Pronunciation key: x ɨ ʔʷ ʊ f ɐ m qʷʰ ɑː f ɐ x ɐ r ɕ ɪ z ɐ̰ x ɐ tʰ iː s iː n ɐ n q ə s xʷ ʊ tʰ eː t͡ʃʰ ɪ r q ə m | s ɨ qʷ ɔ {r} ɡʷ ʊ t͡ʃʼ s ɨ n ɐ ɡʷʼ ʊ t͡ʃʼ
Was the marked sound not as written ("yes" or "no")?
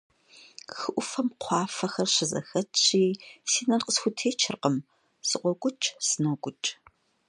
yes